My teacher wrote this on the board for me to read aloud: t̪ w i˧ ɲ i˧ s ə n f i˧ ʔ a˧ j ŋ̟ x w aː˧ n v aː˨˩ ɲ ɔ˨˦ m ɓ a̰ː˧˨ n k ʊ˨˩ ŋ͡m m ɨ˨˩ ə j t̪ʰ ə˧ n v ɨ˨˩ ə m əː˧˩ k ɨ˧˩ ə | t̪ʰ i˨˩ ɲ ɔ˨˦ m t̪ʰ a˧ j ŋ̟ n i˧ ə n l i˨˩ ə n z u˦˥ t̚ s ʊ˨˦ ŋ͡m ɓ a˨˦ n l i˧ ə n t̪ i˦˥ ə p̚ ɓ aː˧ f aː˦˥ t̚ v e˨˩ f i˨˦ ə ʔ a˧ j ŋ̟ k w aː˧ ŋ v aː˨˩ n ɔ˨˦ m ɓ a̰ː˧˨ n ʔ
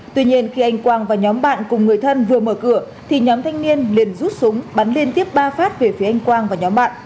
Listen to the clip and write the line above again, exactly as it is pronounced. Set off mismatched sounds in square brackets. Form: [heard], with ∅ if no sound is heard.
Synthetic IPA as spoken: t̪ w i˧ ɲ i˧ [∅] ə n [x] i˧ ʔ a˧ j ŋ̟ [k] w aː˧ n v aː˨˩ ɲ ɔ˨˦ m ɓ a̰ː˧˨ n k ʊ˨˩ ŋ͡m [ŋ] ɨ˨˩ ə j t̪ʰ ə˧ n v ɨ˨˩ ə m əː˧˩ k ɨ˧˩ ə | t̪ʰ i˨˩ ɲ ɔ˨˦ m t̪ʰ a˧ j ŋ̟ n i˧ ə n l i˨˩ ə n z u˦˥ t̚ s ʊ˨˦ ŋ͡m ɓ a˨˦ n l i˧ ə n t̪ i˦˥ ə p̚ ɓ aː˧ f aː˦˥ t̚ v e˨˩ f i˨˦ ə ʔ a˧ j ŋ̟ k w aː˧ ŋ v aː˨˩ [ɲ] ɔ˨˦ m ɓ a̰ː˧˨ n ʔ

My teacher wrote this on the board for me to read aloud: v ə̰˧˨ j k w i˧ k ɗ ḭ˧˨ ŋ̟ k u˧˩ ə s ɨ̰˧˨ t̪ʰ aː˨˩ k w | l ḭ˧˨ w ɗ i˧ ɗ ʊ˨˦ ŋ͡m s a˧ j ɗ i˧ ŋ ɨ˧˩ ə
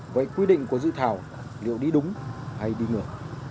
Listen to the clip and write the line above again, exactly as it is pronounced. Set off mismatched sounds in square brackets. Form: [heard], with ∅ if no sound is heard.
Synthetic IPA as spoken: v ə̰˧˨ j k w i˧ [∅] ɗ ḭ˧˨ ŋ̟ k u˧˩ ə [z] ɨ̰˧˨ t̪ʰ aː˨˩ [∅] w | l ḭ˧˨ w ɗ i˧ ɗ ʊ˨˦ ŋ͡m [h] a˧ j ɗ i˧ ŋ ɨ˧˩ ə

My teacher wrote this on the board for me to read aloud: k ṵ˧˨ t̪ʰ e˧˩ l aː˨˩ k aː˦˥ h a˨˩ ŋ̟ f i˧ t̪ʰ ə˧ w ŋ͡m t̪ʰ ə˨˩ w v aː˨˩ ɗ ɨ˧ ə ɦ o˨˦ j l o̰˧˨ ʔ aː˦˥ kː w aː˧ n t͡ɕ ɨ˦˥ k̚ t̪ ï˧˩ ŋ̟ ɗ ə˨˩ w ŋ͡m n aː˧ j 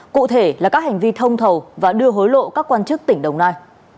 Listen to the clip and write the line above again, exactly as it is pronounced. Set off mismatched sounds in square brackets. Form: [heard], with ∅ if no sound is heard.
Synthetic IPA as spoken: k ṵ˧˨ t̪ʰ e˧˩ l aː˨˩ k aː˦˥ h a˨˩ ŋ̟ [v] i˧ t̪ʰ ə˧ w ŋ͡m t̪ʰ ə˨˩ w v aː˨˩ ɗ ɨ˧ ə ɦ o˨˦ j l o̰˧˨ [k] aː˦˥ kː w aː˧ n t͡ɕ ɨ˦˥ k̚ t̪ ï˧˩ ŋ̟ ɗ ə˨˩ w ŋ͡m n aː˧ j

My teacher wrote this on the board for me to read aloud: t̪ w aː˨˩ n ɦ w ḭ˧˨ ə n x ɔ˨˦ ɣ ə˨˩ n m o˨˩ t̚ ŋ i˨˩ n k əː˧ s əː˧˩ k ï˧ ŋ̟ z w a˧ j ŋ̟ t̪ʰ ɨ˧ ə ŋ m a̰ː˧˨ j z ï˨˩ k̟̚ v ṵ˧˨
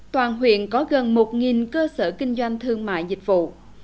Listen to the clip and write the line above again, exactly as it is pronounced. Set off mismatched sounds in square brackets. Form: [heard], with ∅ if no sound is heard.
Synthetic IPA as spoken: t̪ w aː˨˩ n ɦ w ḭ˧˨ ə n [k] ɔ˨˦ ɣ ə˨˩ n m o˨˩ t̚ ŋ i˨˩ n k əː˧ s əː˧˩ k ï˧ ŋ̟ z w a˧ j ŋ̟ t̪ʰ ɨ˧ ə ŋ m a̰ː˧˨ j z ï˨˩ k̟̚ v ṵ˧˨

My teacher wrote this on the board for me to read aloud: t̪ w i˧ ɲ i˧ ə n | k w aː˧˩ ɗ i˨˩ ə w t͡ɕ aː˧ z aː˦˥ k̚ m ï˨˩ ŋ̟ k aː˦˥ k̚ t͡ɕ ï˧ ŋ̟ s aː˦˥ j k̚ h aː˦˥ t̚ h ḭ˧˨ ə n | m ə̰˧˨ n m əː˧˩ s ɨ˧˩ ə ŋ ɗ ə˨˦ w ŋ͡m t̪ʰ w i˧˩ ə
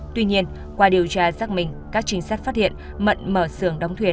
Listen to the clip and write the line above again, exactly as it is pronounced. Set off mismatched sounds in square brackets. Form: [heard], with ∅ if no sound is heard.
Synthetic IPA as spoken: t̪ w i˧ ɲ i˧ ə n | k w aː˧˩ ɗ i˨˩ ə w t͡ɕ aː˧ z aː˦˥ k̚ m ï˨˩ ŋ̟ k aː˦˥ k̚ t͡ɕ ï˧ ŋ̟ s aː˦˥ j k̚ [f] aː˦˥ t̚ h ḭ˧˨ ə n | m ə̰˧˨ n m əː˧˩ s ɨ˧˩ ə ŋ ɗ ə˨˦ w ŋ͡m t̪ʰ w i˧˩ ə

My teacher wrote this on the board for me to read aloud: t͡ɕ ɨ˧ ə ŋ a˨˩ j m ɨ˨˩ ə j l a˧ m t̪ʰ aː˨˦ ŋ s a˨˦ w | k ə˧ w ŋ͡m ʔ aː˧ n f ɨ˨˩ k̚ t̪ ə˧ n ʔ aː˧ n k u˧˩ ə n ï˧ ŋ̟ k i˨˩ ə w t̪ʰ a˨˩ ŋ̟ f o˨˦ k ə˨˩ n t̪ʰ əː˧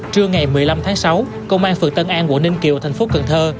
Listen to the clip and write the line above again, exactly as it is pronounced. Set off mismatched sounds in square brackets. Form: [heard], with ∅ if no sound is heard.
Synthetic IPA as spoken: t͡ɕ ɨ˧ ə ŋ a˨˩ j m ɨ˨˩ ə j l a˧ m t̪ʰ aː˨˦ ŋ s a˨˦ w | k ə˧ w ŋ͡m ʔ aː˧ n f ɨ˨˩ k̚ t̪ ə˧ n ʔ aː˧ n k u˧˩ ə n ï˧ ŋ̟ k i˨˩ ə w t̪ʰ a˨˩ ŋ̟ f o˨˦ k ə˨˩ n t̪ʰ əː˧

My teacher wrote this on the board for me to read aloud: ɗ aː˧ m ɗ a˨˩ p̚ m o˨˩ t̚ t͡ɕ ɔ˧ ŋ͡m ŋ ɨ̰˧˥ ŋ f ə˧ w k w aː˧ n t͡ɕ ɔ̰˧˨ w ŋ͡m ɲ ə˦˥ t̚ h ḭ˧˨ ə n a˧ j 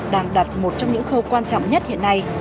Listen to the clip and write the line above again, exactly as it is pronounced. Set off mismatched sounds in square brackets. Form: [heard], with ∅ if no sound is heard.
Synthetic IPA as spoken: ɗ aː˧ [ŋ] ɗ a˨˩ [t̚] m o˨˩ t̚ t͡ɕ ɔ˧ ŋ͡m [ɲ] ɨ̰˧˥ ŋ [x] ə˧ w k w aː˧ n t͡ɕ ɔ̰˧˨ w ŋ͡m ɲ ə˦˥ t̚ h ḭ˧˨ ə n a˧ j

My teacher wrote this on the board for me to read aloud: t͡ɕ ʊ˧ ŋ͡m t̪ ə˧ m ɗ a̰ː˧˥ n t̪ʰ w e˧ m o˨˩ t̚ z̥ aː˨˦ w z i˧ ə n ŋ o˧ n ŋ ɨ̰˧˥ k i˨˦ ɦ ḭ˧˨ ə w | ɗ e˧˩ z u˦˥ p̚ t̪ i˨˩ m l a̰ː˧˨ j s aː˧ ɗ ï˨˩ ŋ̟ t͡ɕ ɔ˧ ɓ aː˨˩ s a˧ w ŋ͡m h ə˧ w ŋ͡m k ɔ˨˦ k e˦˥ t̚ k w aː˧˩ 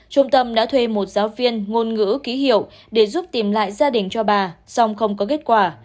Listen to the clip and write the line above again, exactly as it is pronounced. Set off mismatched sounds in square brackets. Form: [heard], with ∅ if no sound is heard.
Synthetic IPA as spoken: t͡ɕ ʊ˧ ŋ͡m t̪ ə˧ m ɗ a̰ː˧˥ [∅] t̪ʰ w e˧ m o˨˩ t̚ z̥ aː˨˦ w [v] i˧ ə n ŋ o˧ n ŋ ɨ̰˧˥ k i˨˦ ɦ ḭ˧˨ ə w | ɗ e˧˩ z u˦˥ p̚ t̪ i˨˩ m l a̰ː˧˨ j [z] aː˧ ɗ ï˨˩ ŋ̟ t͡ɕ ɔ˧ ɓ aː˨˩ s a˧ w ŋ͡m [x] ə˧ w ŋ͡m k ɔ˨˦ k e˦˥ t̚ k w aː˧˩

